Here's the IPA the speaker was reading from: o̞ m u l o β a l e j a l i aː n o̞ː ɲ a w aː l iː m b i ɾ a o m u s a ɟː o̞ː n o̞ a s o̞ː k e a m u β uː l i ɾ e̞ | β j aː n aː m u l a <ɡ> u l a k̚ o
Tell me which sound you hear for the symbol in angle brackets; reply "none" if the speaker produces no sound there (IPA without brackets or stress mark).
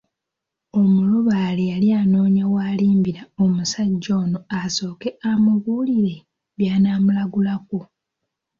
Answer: ɡ